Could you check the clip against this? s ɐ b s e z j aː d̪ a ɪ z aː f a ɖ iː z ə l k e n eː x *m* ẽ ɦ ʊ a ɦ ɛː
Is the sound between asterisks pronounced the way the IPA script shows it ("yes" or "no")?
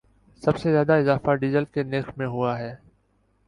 yes